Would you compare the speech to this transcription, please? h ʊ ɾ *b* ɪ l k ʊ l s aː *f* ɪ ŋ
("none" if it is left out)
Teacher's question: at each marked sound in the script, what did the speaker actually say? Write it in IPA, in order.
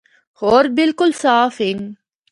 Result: b, f

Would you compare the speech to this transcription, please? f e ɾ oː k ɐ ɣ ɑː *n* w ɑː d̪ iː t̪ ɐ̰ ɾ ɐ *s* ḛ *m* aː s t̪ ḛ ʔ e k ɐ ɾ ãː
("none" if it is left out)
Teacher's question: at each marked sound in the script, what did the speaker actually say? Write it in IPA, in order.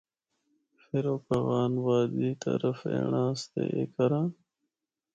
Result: n, f, ɳ

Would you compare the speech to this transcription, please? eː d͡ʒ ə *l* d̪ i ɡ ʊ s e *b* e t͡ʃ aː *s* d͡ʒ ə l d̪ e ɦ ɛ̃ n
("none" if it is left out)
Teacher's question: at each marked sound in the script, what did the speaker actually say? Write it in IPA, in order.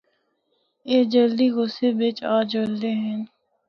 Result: l, b, none

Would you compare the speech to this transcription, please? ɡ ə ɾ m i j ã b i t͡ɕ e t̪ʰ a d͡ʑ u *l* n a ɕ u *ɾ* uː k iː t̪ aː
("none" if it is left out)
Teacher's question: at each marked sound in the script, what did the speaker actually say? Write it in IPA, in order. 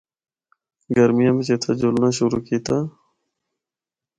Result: l, ɾ

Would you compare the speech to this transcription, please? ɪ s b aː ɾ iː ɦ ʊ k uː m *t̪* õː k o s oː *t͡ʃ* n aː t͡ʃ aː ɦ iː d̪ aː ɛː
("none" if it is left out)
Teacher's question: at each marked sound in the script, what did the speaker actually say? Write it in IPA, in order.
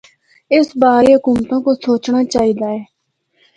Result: t̪, t͡ʃ

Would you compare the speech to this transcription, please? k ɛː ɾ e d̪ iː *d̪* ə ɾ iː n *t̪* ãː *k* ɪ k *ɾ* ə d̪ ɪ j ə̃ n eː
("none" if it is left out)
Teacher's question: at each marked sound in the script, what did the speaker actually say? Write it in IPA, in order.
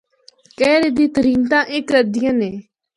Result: t̪, t̪, ʔ, ɾ

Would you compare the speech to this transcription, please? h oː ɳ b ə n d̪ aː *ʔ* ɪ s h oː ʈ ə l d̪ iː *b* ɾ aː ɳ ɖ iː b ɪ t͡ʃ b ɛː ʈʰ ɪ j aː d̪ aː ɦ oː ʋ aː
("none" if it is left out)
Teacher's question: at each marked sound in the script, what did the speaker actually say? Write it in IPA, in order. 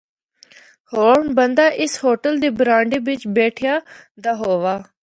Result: ʔ, b

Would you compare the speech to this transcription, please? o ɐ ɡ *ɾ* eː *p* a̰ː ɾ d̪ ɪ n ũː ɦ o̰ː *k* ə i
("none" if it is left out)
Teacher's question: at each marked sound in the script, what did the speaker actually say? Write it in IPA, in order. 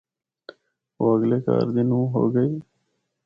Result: l, k, ɡ

